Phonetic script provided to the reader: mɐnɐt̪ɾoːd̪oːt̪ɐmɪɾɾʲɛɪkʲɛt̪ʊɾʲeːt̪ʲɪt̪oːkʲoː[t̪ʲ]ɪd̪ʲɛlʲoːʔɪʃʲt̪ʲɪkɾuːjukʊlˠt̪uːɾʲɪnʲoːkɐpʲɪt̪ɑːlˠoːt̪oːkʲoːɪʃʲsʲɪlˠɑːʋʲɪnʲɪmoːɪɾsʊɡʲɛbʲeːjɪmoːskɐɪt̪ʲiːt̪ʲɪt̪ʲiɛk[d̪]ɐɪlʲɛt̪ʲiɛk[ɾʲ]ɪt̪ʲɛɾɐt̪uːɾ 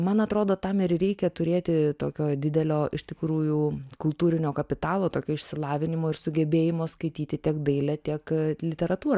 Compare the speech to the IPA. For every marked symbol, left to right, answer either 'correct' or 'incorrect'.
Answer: incorrect, correct, incorrect

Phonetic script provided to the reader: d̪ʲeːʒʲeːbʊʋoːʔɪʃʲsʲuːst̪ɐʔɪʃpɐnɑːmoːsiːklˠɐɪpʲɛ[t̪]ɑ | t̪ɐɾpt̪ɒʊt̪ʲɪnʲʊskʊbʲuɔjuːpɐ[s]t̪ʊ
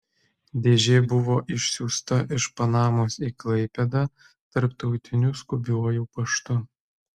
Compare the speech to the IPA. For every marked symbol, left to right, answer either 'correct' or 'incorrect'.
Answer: incorrect, incorrect

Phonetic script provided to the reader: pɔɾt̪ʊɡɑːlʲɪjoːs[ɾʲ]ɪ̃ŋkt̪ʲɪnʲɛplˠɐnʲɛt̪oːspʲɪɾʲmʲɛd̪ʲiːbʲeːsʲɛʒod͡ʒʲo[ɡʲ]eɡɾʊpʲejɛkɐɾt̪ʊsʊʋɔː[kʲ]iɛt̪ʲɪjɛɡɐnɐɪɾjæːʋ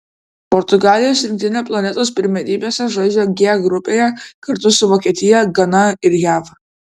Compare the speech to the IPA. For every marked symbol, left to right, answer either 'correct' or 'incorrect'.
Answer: correct, correct, correct

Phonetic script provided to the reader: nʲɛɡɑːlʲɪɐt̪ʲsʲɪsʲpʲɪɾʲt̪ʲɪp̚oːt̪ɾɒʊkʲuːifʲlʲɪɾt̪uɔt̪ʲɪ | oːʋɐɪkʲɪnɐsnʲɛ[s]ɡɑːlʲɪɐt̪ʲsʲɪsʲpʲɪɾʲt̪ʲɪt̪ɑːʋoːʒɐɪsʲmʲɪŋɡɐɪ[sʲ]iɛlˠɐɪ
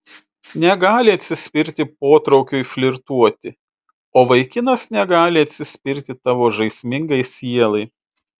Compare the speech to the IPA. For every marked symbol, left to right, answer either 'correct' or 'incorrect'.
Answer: incorrect, correct

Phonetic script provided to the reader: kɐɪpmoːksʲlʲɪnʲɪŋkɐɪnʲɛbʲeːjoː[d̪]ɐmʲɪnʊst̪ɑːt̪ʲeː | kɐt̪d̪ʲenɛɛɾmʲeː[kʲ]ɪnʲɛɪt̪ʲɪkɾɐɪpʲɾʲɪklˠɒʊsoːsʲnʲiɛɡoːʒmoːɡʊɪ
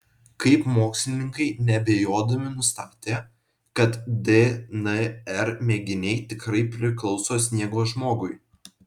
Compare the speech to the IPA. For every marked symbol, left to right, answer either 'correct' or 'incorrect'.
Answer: correct, incorrect

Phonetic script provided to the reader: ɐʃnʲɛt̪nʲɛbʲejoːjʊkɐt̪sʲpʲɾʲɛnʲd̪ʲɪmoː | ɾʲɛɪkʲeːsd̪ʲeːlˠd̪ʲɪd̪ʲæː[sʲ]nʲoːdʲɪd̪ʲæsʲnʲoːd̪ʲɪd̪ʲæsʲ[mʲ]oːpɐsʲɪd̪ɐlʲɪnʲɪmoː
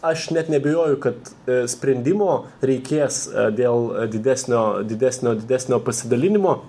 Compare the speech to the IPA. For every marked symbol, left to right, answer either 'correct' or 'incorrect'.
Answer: correct, incorrect

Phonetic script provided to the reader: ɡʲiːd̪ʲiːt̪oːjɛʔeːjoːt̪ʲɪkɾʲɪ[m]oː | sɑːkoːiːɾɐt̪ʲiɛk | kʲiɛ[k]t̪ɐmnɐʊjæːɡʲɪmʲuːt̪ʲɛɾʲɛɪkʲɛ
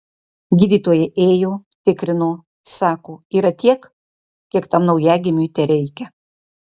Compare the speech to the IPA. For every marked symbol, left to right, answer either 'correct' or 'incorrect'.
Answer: incorrect, correct

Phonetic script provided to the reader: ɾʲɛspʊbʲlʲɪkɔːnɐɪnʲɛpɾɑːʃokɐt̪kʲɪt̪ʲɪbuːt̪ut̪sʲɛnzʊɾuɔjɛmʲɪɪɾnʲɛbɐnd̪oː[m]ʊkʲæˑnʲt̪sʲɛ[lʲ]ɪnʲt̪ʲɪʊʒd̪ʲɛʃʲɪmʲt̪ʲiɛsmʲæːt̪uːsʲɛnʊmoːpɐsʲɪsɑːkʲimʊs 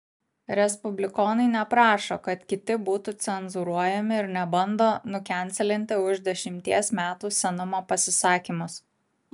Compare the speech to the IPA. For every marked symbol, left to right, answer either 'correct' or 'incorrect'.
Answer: incorrect, correct

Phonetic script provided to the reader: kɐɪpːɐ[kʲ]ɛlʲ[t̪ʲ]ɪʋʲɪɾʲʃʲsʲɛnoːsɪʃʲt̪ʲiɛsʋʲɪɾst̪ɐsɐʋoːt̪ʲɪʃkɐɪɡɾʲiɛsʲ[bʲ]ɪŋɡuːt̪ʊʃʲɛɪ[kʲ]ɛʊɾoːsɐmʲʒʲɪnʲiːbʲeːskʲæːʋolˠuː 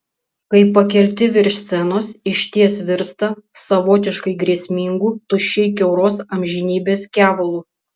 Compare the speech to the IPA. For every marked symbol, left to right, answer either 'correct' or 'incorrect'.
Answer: correct, correct, incorrect, correct

